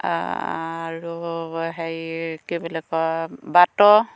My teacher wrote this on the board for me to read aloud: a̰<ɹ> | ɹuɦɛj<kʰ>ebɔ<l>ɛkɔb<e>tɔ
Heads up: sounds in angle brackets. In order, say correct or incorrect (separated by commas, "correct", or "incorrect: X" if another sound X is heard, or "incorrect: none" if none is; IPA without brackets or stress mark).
incorrect: none, incorrect: k, correct, incorrect: a